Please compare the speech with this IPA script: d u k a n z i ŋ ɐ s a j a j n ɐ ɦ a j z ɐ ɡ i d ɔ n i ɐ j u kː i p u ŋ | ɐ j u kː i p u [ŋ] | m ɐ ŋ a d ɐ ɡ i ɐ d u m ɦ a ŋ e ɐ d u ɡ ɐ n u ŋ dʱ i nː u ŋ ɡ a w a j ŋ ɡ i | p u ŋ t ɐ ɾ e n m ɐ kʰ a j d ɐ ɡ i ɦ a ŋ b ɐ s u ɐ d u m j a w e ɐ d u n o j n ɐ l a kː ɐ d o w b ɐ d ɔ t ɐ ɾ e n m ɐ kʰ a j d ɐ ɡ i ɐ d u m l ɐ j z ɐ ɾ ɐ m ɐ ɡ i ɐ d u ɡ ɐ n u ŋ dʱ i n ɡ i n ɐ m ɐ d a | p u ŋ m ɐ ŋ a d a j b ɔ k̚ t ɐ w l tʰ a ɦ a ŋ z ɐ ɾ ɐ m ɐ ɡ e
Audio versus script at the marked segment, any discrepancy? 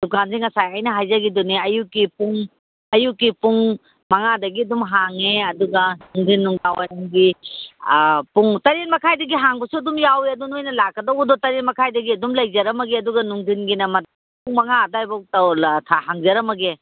no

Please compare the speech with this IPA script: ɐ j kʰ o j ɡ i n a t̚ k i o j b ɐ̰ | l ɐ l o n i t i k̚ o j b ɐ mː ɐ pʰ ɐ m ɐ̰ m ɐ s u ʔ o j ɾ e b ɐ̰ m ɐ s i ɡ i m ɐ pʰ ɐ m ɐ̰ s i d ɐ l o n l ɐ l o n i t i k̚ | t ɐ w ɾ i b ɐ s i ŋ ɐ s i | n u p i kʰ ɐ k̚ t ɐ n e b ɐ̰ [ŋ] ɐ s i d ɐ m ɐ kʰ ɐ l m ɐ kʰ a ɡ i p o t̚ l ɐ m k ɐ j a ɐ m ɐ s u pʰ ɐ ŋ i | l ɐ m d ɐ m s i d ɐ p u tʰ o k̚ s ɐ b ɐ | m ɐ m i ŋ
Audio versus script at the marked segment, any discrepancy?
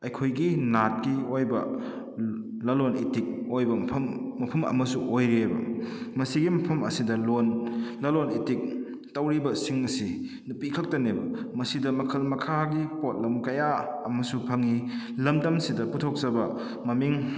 yes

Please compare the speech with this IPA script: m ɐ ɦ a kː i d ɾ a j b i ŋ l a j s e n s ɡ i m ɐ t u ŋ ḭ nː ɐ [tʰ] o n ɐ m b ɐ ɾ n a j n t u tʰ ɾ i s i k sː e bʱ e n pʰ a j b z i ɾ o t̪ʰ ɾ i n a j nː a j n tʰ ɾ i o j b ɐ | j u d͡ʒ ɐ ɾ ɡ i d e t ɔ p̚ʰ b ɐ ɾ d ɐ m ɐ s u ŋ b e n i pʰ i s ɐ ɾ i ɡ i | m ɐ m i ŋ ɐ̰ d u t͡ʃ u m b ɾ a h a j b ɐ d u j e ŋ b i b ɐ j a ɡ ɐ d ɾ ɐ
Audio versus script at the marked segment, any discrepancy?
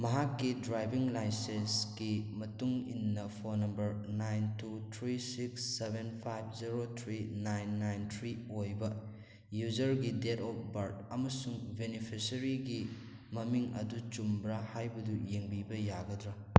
yes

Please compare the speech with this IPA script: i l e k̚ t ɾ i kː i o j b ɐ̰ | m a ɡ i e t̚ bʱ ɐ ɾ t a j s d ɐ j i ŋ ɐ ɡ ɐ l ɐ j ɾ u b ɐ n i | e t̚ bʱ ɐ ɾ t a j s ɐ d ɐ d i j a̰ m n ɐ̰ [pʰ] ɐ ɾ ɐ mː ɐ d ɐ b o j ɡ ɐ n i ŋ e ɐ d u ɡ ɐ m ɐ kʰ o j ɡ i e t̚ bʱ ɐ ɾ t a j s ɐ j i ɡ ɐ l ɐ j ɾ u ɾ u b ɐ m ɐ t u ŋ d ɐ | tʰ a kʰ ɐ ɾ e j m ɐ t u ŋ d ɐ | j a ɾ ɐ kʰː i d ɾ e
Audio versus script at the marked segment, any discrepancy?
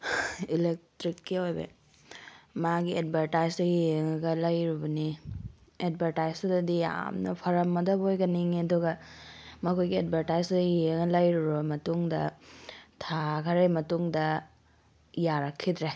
no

